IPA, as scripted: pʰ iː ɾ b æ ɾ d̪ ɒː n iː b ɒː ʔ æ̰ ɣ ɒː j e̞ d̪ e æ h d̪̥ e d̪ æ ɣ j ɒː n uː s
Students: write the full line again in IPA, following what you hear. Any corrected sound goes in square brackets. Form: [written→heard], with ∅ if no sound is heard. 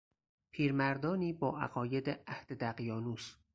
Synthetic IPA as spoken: pʰ iː ɾ [b→m] æ ɾ d̪ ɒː n iː b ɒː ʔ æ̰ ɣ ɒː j e̞ d̪ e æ h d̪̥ e d̪ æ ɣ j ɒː n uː s